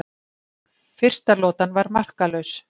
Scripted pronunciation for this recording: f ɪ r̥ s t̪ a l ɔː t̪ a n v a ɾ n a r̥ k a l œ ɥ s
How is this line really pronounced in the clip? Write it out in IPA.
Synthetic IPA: f ɪ r̥ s t̪ a l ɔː t̪ a n v a ɾ m a r̥ k a l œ ɥ s